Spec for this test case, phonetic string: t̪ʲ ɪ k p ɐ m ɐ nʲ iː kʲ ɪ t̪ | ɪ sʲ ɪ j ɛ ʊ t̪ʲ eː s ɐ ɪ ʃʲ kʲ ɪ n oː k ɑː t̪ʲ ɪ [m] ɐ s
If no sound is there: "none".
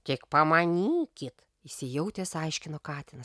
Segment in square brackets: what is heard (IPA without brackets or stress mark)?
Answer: n